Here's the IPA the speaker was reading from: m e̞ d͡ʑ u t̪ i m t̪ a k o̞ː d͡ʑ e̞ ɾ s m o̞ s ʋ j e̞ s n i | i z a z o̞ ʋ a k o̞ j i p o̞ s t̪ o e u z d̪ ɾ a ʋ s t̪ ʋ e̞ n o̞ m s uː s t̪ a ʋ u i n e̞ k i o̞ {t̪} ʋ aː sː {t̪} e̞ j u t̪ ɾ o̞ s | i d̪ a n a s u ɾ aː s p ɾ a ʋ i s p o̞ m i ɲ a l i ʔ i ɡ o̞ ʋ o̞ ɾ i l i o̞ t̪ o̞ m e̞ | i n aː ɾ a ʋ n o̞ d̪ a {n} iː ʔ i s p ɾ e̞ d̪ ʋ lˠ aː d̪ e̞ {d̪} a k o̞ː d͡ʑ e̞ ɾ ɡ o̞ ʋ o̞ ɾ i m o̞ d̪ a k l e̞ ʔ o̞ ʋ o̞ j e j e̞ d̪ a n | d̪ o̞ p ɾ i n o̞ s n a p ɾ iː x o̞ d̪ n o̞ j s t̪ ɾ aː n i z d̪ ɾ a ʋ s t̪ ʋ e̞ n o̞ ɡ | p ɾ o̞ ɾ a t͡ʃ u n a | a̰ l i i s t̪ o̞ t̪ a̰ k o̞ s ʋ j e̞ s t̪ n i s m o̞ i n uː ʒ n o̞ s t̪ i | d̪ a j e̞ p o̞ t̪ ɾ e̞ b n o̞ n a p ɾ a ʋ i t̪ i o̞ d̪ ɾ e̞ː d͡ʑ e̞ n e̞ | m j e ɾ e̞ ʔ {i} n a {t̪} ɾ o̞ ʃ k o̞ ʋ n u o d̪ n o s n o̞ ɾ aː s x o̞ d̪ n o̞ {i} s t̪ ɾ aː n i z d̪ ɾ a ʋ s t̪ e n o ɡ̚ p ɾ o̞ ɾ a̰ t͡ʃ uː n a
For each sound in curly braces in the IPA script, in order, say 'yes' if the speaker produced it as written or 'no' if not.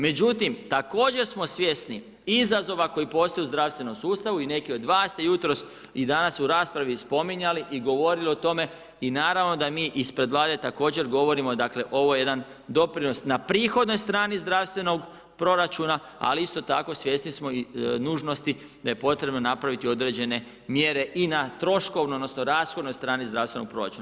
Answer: no, yes, no, no, yes, yes, no

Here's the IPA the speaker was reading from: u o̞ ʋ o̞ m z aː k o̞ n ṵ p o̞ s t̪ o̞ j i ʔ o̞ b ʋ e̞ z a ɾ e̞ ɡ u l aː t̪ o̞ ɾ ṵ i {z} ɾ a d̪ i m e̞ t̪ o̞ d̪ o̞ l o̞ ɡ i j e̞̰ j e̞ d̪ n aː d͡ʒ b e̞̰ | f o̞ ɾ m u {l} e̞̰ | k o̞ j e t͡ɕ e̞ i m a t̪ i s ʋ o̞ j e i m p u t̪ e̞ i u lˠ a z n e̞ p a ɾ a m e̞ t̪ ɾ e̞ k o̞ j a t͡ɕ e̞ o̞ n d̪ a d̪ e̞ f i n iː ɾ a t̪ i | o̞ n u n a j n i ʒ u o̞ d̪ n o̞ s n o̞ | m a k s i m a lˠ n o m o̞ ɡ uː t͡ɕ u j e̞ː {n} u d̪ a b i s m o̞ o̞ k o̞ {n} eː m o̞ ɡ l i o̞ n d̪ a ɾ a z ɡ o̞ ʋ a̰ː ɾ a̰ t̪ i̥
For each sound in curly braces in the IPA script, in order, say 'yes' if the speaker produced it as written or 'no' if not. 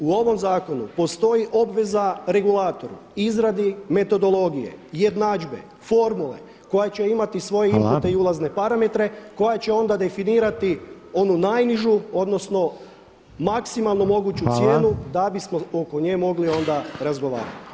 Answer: yes, yes, yes, no

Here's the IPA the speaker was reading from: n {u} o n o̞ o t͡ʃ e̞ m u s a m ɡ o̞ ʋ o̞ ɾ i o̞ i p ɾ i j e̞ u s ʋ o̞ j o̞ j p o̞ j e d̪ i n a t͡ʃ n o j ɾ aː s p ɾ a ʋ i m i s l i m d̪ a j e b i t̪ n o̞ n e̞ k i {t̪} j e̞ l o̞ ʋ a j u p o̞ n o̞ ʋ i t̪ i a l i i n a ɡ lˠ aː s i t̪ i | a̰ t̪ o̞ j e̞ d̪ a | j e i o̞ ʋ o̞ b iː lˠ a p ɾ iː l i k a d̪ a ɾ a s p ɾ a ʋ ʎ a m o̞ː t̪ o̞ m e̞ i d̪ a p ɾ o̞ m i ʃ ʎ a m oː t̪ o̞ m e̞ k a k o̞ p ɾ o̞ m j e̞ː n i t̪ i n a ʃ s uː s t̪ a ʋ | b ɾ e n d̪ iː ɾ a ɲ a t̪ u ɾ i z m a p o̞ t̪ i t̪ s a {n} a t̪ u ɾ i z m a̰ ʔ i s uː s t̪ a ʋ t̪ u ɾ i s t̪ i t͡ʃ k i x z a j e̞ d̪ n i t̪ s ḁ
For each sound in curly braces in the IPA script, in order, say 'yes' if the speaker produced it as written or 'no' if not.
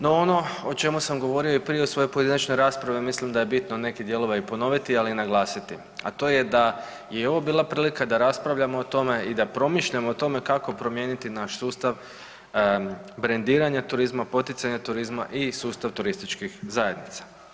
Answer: no, no, no

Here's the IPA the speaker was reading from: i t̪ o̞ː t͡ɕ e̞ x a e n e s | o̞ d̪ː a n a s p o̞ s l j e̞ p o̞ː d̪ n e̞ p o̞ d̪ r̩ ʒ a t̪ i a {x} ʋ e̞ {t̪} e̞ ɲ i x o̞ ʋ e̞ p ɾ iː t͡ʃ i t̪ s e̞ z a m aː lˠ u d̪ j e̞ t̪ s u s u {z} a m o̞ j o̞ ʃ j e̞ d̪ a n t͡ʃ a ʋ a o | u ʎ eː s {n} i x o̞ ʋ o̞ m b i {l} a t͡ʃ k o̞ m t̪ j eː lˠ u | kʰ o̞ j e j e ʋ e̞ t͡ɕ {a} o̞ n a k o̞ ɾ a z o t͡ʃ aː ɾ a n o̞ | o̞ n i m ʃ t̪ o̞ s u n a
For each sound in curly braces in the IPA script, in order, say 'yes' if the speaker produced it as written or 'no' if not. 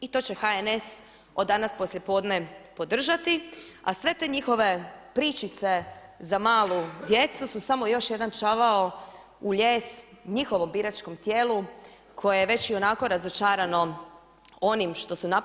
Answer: no, yes, no, no, no, no

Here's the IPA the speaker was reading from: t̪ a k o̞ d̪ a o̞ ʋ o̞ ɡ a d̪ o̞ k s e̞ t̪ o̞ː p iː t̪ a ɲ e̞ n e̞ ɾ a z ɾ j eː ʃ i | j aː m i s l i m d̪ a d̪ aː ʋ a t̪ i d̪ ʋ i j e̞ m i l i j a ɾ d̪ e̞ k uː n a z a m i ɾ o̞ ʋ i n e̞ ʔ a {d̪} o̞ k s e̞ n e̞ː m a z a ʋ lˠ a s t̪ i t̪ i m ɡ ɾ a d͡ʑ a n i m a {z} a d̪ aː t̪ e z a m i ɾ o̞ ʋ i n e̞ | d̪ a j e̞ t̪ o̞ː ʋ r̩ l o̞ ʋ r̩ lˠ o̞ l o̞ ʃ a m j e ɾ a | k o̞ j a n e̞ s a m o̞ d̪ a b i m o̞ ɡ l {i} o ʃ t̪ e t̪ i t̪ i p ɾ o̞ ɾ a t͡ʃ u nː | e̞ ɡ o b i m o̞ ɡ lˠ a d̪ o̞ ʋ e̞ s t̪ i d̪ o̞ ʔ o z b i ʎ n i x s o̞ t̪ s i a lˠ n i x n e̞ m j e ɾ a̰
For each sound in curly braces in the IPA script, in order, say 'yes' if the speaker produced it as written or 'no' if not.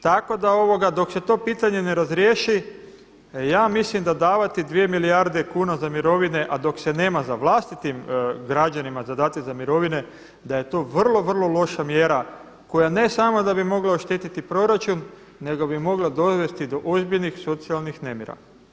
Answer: yes, yes, no

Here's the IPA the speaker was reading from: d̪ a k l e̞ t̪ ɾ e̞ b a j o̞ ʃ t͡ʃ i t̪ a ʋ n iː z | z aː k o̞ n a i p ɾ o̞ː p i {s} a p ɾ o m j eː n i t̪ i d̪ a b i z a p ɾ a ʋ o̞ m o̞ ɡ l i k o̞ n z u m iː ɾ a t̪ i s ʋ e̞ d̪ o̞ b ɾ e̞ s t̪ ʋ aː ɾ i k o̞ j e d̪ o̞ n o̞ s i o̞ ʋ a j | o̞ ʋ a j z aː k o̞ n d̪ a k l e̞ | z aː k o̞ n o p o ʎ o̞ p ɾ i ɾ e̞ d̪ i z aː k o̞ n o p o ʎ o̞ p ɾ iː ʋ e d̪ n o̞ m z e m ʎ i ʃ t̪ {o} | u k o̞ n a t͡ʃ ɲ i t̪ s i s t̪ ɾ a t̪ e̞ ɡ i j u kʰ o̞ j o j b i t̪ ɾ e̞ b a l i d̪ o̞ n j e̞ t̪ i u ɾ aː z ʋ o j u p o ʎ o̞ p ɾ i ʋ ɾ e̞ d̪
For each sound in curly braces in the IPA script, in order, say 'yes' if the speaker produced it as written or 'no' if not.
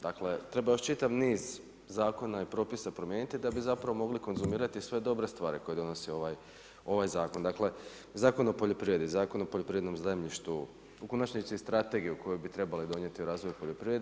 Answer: yes, no

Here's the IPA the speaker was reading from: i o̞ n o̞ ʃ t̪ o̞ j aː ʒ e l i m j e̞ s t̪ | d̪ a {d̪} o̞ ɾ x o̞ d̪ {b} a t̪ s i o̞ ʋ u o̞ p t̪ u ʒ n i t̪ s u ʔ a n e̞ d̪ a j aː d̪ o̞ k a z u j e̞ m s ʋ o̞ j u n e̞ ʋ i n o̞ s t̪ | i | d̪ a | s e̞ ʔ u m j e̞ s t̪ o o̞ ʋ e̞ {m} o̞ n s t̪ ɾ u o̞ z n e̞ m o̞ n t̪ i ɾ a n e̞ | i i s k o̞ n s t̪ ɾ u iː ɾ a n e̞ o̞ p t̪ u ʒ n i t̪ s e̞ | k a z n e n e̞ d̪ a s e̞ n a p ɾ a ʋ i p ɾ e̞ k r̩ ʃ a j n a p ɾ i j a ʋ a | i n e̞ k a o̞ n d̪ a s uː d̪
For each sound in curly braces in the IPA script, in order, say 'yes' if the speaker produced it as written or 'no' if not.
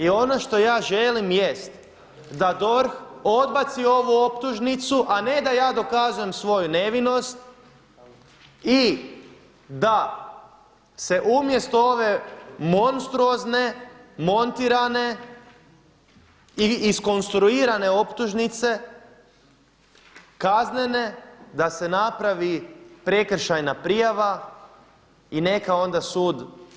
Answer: yes, yes, yes

